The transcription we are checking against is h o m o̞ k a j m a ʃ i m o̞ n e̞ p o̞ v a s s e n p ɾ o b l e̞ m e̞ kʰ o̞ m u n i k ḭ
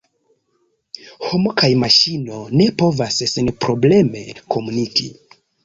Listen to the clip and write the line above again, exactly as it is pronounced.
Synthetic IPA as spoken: h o m o̞ k a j m a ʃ i n o̞ n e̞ p o̞ v a s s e n p ɾ o b l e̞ m e̞ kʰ o̞ m u n i k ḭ